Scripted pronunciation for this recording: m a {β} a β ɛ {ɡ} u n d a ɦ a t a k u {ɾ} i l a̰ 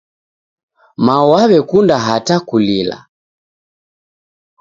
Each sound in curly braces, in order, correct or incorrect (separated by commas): incorrect, incorrect, incorrect